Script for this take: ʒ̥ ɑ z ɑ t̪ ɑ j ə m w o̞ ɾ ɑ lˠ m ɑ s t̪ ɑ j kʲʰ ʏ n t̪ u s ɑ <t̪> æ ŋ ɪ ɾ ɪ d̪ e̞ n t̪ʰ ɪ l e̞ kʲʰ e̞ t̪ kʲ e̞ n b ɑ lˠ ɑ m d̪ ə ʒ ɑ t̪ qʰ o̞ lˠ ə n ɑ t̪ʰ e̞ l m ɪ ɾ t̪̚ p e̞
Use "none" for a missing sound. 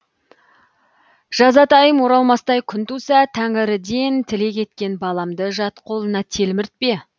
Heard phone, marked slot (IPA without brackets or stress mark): t̪ʰ